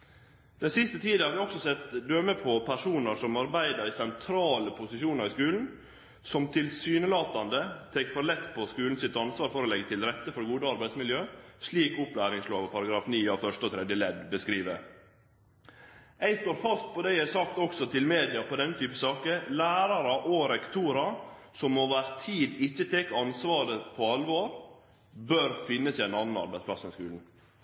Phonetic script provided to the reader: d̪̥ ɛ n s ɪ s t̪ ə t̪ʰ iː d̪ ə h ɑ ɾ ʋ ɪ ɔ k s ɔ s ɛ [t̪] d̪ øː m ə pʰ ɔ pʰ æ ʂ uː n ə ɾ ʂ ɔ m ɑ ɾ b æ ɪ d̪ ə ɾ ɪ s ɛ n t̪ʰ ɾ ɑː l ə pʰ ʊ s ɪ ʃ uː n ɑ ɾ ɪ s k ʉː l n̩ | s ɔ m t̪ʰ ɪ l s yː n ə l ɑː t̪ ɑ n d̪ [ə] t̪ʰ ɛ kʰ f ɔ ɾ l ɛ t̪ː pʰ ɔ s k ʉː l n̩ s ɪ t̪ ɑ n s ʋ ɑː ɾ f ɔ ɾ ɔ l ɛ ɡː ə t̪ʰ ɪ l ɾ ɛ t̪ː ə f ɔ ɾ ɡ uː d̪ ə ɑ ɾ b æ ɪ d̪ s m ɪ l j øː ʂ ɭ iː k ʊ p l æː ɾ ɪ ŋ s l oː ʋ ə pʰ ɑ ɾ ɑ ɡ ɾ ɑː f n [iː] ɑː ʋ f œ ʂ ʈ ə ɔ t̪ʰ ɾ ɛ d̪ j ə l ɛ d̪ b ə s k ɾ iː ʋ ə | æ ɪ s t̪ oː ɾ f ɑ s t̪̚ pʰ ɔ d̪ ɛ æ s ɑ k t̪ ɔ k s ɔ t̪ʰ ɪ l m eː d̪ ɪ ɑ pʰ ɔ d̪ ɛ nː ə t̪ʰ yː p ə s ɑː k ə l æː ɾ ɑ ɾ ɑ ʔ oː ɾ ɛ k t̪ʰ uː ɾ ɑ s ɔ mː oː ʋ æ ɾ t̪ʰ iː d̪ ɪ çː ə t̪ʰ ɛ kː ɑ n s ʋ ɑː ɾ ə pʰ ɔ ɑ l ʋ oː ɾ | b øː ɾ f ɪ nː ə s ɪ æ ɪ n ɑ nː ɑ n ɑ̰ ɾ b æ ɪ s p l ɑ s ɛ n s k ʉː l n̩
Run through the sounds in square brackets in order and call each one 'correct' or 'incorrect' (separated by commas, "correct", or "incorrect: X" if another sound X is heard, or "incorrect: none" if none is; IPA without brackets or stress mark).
correct, correct, correct